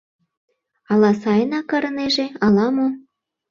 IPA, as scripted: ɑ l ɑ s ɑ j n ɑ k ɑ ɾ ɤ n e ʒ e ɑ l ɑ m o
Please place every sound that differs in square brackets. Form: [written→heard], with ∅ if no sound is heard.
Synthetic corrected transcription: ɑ l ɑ s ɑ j n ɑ k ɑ ɾ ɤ n e ʒ e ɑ l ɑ m o